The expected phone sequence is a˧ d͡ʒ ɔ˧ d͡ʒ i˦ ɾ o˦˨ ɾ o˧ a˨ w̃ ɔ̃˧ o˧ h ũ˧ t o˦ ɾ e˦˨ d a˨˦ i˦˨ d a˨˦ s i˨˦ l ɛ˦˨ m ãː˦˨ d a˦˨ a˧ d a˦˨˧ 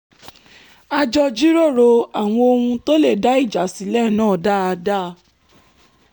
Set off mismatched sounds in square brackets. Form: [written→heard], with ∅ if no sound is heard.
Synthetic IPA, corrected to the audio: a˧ d͡ʒ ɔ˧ d͡ʒ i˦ ɾ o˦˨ ɾ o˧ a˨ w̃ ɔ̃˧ o˧ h ũ˧ t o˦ [ɾ→l] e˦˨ d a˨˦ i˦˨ [d→d͡ʒ] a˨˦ s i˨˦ l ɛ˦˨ [m→n] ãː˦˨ d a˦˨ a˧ d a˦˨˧